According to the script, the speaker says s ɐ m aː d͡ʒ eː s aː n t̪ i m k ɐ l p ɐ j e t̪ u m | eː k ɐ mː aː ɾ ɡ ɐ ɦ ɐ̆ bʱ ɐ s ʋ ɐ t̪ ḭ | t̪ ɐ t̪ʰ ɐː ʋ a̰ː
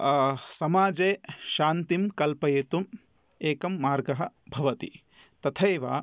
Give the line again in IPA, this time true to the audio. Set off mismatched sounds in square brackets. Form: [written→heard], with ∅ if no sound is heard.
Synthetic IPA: s ɐ m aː d͡ʒ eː [s→ʃ] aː n t̪ i m k ɐ l p ɐ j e t̪ u m | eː k ɐ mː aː ɾ ɡ ɐ ɦ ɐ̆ bʱ ɐ [s→∅] ʋ ɐ t̪ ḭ | t̪ ɐ t̪ʰ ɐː ʋ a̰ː

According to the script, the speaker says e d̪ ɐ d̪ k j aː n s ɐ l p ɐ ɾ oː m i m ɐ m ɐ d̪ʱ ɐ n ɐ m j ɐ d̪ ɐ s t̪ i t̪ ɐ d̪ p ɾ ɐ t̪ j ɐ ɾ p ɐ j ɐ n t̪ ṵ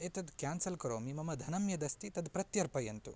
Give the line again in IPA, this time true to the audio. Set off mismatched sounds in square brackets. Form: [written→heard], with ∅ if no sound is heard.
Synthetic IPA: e [d̪→t̪] ɐ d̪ k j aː n s ɐ l [p→k] ɐ ɾ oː m i m ɐ m ɐ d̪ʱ ɐ n ɐ m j ɐ d̪ ɐ s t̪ i t̪ ɐ d̪ p ɾ ɐ t̪ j ɐ ɾ p ɐ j ɐ n t̪ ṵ

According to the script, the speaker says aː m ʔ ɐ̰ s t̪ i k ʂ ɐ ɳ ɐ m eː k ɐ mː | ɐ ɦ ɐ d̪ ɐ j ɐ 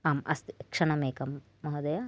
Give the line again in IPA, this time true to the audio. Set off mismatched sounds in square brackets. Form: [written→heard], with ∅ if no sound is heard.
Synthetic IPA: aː m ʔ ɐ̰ s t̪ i k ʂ ɐ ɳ ɐ m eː k ɐ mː | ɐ ɦ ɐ d̪ ɐ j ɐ

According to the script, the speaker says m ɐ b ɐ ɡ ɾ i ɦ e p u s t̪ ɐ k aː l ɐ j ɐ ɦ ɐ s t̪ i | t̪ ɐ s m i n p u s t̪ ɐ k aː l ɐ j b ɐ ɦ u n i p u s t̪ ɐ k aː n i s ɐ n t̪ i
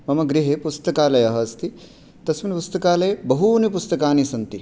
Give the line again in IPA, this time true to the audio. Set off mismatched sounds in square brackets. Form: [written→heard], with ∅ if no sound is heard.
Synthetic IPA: m ɐ [b→m] ɐ ɡ ɾ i ɦ e p u s t̪ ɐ k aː l ɐ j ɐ ɦ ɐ s t̪ i | t̪ ɐ s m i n p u s t̪ ɐ k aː l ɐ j b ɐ ɦ u n i p u s t̪ ɐ k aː n i s ɐ n t̪ i

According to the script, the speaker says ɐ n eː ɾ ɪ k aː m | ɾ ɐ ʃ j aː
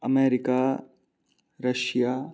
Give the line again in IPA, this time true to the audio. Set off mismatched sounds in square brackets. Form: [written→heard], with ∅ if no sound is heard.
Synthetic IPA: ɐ [n→m] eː ɾ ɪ k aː [m→∅] | ɾ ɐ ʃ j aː

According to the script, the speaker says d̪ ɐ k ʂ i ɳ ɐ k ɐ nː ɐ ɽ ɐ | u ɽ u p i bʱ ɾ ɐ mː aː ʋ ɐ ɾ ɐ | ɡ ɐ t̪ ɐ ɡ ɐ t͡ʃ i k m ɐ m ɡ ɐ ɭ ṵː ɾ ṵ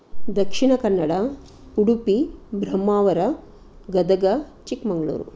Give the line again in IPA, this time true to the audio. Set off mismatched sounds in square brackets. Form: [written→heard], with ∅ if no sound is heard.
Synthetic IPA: d̪ ɐ k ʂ i ɳ ɐ k ɐ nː ɐ ɽ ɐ | u ɽ u p i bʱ ɾ ɐ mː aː ʋ ɐ ɾ ɐ | ɡ ɐ [t̪→d̪] ɐ ɡ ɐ t͡ʃ i k m ɐ [m→ŋ] ɡ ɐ ɭ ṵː ɾ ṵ

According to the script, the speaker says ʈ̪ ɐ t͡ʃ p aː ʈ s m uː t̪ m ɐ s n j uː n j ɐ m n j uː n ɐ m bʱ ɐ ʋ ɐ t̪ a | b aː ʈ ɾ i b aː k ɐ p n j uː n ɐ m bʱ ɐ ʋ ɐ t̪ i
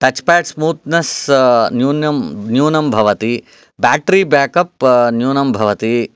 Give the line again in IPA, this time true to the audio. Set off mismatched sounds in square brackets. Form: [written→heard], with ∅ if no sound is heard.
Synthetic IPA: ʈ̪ ɐ t͡ʃ p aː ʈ s m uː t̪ [m→n] ɐ s n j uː n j ɐ m n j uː n ɐ m bʱ ɐ ʋ ɐ t̪ [a→i] | b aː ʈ ɾ i b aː k ɐ p n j uː n ɐ m bʱ ɐ ʋ ɐ t̪ i

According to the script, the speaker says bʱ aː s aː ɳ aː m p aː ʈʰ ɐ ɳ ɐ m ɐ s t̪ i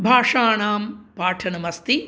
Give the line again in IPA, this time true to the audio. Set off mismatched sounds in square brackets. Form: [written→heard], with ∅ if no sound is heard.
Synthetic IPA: bʱ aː [s→ʂ] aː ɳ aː m p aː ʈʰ ɐ [ɳ→n] ɐ m ɐ s t̪ i

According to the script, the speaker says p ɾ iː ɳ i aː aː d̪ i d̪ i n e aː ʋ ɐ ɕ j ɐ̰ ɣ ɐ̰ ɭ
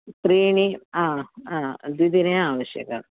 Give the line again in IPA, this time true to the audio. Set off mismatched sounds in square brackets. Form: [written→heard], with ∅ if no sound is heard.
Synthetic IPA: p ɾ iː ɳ i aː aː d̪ i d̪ i n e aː ʋ ɐ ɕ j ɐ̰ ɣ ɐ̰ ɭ

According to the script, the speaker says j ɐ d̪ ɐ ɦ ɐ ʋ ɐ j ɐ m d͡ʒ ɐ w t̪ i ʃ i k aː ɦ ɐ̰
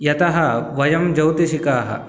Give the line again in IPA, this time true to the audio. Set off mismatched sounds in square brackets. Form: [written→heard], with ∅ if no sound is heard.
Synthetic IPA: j ɐ [d̪→t̪] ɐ ɦ ɐ ʋ ɐ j ɐ m d͡ʒ ɐ w t̪ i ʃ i k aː ɦ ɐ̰

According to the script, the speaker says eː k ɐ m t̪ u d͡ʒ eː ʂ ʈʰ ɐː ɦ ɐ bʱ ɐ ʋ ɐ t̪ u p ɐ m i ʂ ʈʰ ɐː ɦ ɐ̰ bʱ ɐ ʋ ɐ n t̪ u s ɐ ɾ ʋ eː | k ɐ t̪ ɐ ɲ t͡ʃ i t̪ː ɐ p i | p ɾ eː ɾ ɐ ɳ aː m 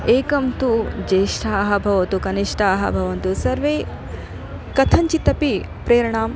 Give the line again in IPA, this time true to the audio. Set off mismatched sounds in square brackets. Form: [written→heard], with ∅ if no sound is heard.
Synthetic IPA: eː k ɐ m t̪ u d͡ʒ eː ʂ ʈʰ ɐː ɦ ɐ bʱ ɐ ʋ ɐ t̪ u [p→k] ɐ [m→n] i ʂ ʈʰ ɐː ɦ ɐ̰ bʱ ɐ ʋ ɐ n t̪ u s ɐ ɾ ʋ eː | k ɐ [t̪→t̪ʰ] ɐ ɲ t͡ʃ i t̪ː ɐ p i | p ɾ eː ɾ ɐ ɳ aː m

